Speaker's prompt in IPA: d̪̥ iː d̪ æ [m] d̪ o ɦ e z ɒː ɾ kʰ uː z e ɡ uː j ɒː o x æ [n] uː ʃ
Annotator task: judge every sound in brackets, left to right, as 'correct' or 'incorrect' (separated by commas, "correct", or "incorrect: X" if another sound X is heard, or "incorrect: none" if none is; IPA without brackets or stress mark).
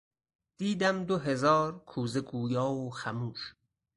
correct, incorrect: m